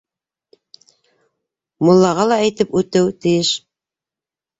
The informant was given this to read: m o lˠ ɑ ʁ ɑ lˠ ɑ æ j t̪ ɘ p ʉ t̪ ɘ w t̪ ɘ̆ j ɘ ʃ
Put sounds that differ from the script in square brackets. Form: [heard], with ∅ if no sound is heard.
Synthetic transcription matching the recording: m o [lˠː] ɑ ʁ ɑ lˠ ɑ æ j t̪ ɘ p ʉ t̪ ɘ w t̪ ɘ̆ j ɘ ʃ